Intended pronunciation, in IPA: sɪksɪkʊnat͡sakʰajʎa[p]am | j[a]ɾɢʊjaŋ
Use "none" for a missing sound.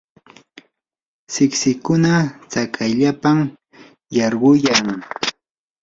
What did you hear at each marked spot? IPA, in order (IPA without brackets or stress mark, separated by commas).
p, ɑ